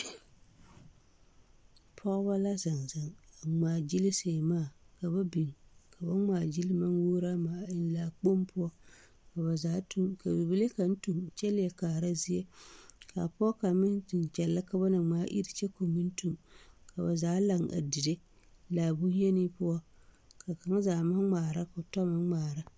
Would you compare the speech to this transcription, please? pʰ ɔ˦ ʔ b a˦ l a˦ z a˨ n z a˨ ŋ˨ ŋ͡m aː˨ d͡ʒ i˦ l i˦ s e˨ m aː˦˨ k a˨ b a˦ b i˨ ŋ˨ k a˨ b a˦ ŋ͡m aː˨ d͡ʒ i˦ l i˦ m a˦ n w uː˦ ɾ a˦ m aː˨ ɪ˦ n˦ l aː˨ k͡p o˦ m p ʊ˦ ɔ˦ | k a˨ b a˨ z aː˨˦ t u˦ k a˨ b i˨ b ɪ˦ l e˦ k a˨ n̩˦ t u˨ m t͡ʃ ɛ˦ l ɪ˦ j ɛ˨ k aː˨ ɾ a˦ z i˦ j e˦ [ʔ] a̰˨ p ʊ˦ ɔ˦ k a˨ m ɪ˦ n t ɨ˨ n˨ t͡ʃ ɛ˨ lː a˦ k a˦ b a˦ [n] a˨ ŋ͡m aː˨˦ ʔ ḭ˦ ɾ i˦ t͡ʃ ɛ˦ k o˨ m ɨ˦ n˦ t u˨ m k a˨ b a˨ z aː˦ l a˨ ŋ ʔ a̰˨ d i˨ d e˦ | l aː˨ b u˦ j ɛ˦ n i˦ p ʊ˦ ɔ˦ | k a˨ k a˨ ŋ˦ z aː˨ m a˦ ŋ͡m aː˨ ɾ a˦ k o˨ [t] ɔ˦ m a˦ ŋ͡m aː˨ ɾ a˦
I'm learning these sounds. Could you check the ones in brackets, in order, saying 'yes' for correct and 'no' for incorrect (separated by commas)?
no, yes, yes